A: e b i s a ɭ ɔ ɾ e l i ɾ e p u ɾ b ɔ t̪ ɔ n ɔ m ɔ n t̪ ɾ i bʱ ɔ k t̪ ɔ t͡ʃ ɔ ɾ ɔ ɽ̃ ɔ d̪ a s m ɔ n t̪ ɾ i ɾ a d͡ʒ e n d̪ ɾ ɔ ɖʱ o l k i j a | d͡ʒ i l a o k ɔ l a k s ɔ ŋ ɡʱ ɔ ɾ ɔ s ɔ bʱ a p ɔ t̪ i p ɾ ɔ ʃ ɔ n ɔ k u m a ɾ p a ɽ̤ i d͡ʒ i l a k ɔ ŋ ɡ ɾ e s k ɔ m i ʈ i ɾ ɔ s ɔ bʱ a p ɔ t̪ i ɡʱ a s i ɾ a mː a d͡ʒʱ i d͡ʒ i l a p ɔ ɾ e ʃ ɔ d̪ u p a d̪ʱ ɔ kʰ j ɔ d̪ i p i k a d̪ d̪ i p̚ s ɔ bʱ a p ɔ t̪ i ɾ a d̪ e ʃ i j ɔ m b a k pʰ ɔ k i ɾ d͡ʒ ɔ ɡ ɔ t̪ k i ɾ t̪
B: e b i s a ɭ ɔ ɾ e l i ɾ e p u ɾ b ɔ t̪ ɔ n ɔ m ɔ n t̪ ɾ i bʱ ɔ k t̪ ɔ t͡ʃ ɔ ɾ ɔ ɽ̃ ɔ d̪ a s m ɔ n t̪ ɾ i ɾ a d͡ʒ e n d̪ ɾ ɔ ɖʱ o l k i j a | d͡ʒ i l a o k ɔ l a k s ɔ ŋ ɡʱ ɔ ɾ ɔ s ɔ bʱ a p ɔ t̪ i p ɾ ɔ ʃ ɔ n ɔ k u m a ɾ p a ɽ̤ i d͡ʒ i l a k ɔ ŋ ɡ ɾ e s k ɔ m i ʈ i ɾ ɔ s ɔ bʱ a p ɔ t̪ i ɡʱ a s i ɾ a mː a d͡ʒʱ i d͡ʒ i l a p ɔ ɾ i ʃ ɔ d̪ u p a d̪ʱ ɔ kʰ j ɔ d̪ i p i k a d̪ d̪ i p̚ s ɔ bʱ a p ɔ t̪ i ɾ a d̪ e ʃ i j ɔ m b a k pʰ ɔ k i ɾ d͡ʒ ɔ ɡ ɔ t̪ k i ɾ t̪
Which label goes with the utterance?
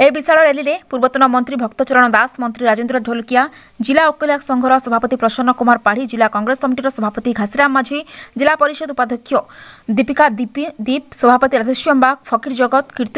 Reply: B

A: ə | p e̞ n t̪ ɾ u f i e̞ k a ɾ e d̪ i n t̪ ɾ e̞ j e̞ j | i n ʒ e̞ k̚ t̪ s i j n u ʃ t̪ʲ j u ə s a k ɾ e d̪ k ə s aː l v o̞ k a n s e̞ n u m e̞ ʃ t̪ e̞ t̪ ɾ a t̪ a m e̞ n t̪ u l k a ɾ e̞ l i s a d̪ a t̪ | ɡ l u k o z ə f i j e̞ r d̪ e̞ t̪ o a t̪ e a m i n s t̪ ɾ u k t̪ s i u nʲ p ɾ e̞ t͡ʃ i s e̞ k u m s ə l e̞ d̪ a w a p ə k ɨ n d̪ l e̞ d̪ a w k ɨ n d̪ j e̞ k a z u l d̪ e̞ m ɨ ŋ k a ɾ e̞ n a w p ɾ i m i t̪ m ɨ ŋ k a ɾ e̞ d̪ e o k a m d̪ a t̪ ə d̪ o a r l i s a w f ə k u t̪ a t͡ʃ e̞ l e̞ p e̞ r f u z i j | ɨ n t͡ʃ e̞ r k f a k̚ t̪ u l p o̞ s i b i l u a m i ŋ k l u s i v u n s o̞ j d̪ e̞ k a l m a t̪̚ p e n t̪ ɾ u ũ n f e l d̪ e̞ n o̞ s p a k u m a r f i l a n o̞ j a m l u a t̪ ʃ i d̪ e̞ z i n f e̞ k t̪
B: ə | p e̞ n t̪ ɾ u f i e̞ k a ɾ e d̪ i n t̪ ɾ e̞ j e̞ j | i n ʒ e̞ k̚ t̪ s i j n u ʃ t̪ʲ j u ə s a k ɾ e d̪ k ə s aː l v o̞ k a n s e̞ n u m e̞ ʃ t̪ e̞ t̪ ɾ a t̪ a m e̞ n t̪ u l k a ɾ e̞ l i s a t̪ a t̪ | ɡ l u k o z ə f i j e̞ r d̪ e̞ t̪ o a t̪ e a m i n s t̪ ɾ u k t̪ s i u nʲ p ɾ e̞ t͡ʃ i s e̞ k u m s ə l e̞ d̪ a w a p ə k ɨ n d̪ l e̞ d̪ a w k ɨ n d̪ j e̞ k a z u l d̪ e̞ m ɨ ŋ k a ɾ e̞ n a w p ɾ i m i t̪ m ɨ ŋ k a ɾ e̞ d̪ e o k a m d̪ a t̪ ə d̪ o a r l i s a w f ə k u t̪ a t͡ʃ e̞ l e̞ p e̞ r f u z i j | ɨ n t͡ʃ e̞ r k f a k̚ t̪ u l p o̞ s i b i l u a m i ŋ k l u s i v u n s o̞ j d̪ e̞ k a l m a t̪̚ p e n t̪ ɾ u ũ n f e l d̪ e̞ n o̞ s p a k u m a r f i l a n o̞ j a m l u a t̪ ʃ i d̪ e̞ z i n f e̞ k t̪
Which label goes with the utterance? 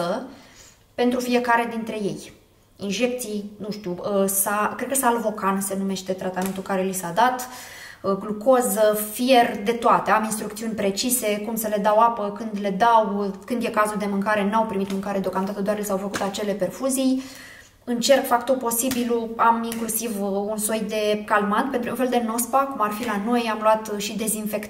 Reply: A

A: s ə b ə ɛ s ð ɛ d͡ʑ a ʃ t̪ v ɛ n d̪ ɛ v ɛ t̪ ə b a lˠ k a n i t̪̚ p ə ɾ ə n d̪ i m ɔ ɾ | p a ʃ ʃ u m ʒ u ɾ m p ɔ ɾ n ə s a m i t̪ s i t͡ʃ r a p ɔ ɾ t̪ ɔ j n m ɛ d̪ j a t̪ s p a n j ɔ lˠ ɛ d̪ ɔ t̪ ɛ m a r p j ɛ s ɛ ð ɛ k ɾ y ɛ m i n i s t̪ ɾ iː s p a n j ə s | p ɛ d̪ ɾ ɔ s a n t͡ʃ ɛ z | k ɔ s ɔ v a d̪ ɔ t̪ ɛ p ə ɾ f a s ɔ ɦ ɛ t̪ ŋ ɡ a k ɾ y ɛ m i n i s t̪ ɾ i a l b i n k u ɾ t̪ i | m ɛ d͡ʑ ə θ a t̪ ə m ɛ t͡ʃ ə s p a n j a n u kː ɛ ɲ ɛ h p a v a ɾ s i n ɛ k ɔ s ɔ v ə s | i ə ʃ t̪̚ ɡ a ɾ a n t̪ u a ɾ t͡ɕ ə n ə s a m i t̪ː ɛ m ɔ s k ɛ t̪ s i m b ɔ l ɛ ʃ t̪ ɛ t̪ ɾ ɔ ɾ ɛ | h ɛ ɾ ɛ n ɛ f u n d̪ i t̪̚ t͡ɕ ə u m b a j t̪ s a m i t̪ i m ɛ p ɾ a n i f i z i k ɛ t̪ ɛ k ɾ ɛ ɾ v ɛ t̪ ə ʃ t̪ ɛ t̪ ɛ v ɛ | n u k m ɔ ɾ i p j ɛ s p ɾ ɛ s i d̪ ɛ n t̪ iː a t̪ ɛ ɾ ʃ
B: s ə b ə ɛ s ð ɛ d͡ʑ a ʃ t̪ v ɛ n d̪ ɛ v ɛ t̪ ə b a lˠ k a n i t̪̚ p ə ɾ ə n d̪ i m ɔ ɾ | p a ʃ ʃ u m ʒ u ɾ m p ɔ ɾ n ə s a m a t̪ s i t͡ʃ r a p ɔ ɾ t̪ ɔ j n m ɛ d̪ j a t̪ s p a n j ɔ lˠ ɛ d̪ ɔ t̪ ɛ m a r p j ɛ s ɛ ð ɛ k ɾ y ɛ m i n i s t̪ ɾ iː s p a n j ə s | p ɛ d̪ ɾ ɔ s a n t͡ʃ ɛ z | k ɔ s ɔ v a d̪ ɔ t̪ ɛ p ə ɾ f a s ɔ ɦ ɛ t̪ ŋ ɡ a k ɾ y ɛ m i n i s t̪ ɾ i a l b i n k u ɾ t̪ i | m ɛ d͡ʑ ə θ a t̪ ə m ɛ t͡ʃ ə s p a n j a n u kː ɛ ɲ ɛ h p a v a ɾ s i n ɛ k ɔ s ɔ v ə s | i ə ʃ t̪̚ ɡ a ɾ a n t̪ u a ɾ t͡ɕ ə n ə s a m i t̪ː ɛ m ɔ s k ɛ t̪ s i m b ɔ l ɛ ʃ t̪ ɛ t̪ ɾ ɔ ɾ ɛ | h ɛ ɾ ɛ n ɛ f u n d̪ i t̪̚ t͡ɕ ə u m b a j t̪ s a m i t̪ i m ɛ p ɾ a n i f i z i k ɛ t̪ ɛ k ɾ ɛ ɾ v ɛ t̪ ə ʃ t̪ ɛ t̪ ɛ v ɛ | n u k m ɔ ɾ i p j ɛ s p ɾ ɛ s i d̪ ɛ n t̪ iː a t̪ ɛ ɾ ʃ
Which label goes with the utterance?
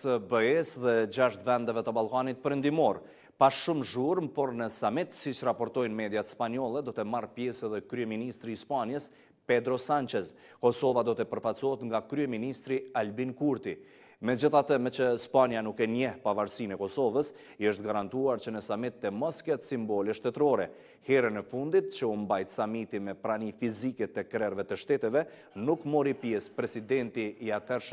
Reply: A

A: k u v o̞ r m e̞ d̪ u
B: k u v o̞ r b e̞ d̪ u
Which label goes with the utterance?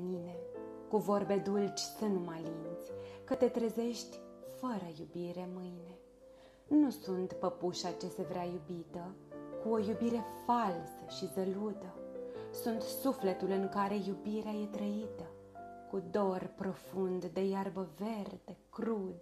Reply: B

